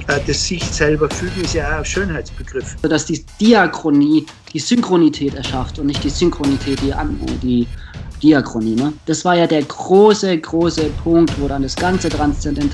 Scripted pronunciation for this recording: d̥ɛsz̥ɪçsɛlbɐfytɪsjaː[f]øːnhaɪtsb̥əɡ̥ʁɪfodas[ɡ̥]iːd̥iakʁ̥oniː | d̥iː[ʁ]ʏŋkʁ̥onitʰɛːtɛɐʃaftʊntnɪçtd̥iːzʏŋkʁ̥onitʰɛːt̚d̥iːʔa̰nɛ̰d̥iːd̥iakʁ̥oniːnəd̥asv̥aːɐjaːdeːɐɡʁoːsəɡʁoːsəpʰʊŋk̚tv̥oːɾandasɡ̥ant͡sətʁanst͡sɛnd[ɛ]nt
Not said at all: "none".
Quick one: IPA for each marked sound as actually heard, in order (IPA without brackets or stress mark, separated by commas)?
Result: ʃ, d̥, z, ɛ